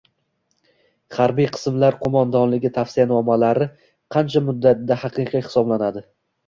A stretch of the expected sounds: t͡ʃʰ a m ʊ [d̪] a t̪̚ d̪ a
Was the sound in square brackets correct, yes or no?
no